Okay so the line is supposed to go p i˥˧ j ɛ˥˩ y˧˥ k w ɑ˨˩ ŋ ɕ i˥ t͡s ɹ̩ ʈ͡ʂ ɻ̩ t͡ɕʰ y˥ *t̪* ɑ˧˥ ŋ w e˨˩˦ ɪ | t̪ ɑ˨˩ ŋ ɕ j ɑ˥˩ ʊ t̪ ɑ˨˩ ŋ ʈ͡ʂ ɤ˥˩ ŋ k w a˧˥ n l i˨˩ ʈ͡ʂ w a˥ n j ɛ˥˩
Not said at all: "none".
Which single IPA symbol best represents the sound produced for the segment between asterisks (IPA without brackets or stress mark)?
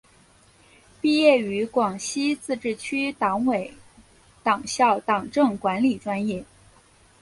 t̪